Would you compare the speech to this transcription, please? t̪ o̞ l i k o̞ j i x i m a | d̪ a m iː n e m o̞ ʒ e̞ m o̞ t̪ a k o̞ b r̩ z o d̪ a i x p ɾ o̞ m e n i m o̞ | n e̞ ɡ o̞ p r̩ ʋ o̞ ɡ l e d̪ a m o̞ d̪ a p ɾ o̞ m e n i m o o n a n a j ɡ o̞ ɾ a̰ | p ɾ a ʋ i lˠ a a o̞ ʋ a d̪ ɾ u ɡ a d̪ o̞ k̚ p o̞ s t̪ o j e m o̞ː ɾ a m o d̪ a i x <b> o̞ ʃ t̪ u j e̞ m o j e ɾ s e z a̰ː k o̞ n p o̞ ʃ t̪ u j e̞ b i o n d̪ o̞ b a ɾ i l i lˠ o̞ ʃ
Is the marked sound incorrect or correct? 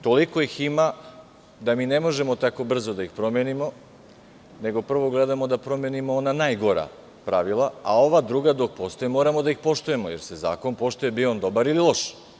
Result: incorrect